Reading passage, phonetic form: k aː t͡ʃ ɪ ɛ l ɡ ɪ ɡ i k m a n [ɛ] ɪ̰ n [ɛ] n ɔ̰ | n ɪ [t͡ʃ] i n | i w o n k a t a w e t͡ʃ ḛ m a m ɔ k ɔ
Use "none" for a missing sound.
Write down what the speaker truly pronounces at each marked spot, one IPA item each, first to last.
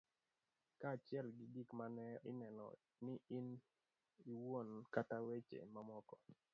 ɛ, ɛ, none

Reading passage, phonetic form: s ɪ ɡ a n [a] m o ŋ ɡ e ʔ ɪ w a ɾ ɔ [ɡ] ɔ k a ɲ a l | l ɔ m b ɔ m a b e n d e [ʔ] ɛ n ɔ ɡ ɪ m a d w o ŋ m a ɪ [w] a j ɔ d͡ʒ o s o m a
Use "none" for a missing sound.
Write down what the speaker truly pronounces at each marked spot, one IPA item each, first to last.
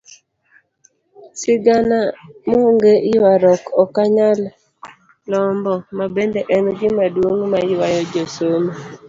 a, k, ʔ, w

